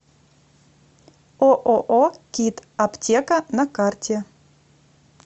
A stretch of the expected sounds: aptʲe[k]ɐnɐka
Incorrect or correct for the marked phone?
correct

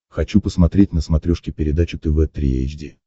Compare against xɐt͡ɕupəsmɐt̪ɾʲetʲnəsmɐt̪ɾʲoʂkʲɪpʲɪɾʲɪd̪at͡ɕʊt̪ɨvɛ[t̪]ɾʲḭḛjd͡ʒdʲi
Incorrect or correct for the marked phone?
correct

